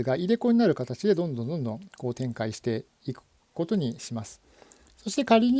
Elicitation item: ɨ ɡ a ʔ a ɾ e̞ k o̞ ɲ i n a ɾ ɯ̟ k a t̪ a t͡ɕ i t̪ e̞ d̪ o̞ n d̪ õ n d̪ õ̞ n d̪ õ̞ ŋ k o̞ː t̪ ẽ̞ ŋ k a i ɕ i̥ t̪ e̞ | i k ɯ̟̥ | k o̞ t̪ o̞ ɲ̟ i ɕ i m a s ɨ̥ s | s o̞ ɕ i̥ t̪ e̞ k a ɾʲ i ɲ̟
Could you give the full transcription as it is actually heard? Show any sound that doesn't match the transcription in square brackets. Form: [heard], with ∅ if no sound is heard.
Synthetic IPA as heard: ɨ ɡ a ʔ [i] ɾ e̞ k o̞ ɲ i n a ɾ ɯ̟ k a t̪ a t͡ɕ i [d̪] e̞ d̪ [õ̞] n d̪ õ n d̪ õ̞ n d̪ õ̞ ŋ k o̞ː t̪ ẽ̞ ŋ k a i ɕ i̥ t̪ e̞ | i k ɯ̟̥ | k o̞ t̪ o̞ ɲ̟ i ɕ i m a s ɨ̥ [∅] | s o̞ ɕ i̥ t̪ e̞ k a ɾʲ i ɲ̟